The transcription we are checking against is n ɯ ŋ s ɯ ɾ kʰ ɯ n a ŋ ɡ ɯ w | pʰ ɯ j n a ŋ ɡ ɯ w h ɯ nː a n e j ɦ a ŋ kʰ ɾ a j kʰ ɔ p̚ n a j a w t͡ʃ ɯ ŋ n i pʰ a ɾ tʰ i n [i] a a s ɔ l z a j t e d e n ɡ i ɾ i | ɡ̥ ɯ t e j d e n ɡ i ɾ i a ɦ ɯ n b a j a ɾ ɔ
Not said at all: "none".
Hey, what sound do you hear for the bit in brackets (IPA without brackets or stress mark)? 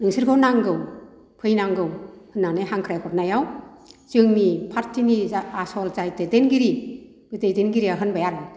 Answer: i